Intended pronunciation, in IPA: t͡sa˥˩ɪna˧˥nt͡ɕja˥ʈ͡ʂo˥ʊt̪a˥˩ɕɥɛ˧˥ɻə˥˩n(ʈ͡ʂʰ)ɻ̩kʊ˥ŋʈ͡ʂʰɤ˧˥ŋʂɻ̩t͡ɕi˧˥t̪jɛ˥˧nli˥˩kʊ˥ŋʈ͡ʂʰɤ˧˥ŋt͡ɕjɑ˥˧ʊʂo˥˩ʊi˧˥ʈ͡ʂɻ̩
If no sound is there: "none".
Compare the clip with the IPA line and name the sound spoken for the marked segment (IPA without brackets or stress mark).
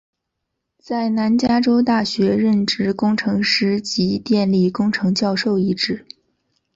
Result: ʈ͡ʂ